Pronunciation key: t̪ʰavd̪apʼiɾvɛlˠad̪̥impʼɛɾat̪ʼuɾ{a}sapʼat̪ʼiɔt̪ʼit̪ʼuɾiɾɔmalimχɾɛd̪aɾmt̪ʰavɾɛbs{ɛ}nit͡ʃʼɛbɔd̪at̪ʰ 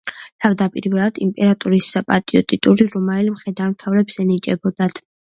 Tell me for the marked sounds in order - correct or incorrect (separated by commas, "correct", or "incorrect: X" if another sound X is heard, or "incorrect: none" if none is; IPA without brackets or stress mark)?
incorrect: i, correct